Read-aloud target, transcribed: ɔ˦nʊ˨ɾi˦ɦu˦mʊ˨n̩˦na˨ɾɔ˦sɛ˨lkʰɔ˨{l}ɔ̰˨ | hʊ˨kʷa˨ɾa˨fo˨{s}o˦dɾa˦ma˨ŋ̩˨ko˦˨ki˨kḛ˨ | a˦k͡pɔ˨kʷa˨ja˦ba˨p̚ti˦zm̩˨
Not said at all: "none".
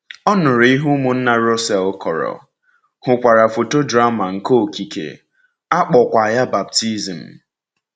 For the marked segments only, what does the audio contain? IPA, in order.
ɾ, t

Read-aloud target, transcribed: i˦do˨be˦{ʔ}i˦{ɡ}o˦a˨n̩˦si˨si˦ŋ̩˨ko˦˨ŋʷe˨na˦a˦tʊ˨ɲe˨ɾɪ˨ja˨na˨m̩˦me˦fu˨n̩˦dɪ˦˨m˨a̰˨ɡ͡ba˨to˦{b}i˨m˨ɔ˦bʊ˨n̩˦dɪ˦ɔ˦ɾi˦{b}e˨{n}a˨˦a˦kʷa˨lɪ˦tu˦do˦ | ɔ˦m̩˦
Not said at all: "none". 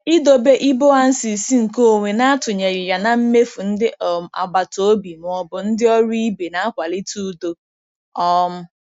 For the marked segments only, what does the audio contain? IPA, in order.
ʔ, b, b, b, n

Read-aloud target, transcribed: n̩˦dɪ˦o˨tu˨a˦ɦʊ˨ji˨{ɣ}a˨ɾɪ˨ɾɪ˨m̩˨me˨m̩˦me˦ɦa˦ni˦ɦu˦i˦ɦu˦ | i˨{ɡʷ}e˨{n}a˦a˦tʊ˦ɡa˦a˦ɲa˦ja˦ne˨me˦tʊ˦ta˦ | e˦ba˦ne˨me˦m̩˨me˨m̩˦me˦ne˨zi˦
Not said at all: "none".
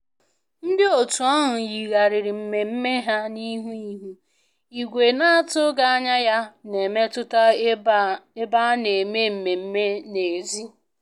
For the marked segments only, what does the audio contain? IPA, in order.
ɣ, ɡʷ, n

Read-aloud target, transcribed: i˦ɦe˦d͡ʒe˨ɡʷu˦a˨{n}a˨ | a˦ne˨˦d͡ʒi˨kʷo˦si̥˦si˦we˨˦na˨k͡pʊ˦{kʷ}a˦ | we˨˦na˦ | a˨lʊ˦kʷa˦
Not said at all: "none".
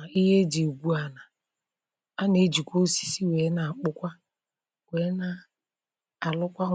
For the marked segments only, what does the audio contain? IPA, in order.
n, kʷ

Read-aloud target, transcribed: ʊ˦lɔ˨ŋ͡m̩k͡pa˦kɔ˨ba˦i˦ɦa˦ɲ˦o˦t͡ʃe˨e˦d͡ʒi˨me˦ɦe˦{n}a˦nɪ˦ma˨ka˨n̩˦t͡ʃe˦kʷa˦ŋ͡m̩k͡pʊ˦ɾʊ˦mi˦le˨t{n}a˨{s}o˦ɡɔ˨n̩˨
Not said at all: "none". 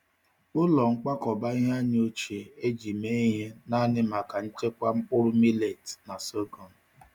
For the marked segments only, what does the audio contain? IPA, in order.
n, n, s

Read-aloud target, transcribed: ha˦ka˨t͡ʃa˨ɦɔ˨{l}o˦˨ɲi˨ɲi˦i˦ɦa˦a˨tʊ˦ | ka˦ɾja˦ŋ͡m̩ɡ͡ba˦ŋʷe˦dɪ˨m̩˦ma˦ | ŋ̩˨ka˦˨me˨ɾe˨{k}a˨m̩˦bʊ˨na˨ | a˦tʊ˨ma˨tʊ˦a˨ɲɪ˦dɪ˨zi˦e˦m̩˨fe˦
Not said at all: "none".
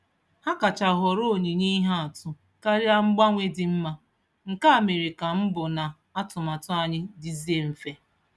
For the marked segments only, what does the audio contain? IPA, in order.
ɾ, k

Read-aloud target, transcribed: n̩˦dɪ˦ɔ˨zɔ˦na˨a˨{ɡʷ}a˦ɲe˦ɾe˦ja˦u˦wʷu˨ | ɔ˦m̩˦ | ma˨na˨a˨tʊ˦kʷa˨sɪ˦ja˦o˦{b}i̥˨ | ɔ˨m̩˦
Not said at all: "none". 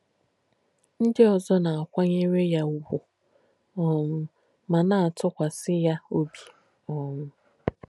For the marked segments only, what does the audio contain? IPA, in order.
kʷ, b

